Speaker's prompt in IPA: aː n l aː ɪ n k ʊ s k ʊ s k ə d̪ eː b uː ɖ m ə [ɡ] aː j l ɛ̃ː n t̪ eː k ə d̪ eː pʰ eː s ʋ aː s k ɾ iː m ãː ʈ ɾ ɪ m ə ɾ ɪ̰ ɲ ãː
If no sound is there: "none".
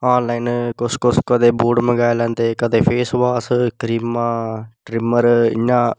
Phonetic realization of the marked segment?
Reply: ɡ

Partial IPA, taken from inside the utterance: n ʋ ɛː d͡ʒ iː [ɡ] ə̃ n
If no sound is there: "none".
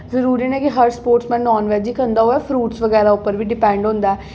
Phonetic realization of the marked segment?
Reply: k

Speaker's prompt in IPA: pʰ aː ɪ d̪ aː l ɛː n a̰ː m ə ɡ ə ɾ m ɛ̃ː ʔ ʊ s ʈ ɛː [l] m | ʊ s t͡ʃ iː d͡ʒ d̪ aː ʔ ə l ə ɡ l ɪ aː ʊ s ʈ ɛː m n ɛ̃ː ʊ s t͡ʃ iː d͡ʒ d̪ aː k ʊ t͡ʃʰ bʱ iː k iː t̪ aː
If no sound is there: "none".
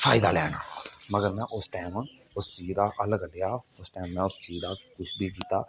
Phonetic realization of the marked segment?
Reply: none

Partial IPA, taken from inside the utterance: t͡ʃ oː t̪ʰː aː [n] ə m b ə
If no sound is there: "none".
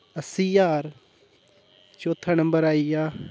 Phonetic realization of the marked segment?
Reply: n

